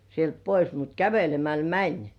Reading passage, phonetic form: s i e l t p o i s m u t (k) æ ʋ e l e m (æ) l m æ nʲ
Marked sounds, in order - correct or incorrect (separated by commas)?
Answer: correct, correct